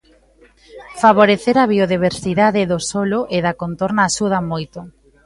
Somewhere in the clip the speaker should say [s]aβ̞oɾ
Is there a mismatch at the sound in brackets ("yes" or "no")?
yes